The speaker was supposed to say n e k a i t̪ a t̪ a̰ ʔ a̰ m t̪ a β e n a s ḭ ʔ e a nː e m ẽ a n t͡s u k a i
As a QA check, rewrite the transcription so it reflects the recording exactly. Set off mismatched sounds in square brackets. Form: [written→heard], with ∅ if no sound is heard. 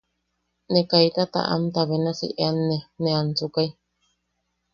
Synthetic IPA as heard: n e k a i t̪ a t̪ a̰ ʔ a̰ m t̪ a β e n a s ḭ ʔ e a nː e [m→n] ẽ a n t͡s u k a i